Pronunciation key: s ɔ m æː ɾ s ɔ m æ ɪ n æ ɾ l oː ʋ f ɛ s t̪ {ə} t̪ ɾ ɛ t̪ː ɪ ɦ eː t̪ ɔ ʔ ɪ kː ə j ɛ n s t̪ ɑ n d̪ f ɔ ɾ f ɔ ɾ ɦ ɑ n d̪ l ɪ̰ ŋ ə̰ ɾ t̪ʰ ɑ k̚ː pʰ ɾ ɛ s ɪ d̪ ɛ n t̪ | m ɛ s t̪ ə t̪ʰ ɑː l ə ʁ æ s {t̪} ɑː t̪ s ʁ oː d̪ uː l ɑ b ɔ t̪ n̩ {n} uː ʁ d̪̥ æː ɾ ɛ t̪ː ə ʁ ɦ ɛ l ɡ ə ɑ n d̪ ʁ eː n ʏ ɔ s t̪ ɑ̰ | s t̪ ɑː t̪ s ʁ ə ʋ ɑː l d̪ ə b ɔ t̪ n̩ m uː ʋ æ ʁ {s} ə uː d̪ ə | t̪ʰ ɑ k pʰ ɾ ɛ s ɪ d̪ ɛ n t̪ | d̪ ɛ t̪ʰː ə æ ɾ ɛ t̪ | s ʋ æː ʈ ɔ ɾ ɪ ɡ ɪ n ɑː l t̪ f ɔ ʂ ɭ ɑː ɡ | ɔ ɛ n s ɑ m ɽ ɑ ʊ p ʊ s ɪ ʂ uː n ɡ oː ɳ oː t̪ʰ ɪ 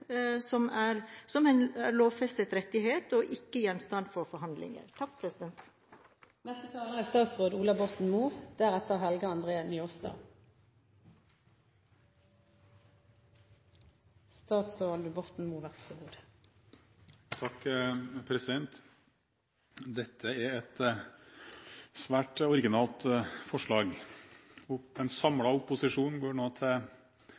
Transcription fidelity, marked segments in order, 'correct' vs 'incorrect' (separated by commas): correct, correct, incorrect, correct